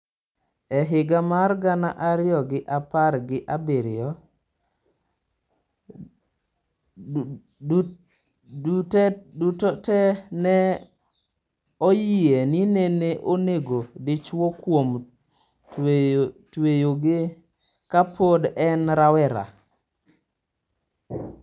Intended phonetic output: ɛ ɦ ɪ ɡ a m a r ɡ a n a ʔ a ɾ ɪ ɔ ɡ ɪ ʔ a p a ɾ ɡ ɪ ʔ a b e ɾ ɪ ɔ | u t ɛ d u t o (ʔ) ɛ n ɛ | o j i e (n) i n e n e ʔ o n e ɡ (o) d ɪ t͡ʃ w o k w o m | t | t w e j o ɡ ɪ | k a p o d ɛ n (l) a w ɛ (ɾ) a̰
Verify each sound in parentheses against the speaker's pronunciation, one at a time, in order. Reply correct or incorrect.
incorrect, correct, correct, incorrect, correct

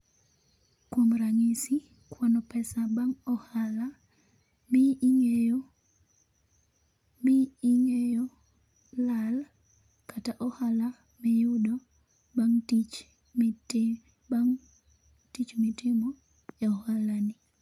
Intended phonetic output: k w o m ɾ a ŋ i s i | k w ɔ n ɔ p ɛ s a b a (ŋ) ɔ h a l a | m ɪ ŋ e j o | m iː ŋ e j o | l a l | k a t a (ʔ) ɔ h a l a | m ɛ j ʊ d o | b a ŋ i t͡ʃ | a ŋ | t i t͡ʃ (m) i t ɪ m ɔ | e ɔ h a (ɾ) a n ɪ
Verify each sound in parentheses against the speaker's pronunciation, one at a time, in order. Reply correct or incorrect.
correct, correct, correct, incorrect

